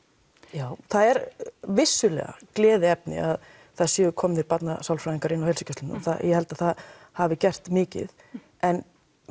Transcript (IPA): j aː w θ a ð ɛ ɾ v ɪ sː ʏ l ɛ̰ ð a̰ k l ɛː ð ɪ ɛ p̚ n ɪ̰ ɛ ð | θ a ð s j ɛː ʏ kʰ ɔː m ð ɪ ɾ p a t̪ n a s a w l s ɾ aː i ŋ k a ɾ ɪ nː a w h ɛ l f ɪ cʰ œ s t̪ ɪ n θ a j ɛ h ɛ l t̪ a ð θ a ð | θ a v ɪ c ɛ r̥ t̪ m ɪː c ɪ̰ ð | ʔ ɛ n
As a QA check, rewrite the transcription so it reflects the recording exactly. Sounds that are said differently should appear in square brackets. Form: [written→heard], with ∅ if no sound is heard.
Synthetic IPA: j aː w θ a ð ɛ ɾ v ɪ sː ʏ l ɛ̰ [ð→ɣ] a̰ k l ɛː ð ɪ ɛ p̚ n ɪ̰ [ɛ→a] ð | θ a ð s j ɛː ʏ kʰ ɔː m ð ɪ ɾ p a t̪ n a s a w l [s→f] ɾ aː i ŋ k a ɾ ɪ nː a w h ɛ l [f→s] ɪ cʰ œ s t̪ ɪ n θ a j ɛ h ɛ l t̪ a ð θ a ð | [θ→h] a v ɪ c ɛ r̥ t̪ m ɪː c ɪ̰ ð | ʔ ɛ n